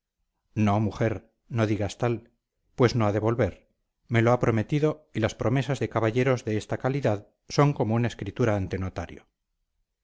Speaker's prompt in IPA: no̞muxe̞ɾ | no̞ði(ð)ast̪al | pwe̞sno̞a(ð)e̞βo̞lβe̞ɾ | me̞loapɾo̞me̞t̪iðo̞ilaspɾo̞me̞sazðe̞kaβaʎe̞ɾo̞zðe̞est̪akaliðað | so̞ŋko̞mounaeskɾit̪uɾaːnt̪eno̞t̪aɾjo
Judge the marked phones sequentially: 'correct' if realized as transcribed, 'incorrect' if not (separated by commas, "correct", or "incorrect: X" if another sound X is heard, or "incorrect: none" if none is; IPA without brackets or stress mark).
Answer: incorrect: ɣ, correct